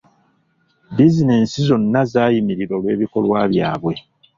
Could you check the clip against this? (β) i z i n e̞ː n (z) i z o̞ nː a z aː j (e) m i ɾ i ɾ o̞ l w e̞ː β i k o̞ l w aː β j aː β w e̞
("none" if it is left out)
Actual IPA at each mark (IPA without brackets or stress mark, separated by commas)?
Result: b, s, i